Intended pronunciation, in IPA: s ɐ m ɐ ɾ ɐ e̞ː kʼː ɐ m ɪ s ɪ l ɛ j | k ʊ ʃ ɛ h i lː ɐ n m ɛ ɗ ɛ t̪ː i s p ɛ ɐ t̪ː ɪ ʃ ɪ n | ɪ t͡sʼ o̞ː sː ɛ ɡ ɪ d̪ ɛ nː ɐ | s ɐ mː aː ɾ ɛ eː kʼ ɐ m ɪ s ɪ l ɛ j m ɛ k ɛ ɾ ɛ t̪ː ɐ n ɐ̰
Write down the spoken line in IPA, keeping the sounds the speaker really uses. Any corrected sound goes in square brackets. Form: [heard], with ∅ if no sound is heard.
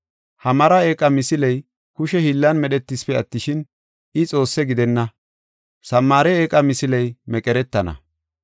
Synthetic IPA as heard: [h] ɐ m ɐ ɾ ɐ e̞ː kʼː ɐ m ɪ s ɪ l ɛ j | k ʊ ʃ ɛ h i lː ɐ n m ɛ ɗ ɛ t̪ː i s p ɛ ɐ t̪ː ɪ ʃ ɪ n | ɪ t͡sʼ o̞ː sː ɛ ɡ ɪ d̪ ɛ nː ɐ | s ɐ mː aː ɾ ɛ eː kʼ ɐ m ɪ s ɪ l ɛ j m ɛ [kʼ] ɛ ɾ ɛ t̪ː ɐ n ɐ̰